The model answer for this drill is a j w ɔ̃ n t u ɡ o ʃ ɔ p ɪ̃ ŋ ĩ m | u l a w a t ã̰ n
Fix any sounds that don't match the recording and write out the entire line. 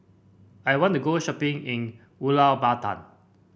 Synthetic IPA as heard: a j w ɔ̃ n t u ɡ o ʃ ɔ p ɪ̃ ŋ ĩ n | u l a b a t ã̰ n